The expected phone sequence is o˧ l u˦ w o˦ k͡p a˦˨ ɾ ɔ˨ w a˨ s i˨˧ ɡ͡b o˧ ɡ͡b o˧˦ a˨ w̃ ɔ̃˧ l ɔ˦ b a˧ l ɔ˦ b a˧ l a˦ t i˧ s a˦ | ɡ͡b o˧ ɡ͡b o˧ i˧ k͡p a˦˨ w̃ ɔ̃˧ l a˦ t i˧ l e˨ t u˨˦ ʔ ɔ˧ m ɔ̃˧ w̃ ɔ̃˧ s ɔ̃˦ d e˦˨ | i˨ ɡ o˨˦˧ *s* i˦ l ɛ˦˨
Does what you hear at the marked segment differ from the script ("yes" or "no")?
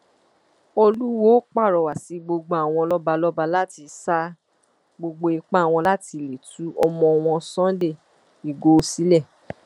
no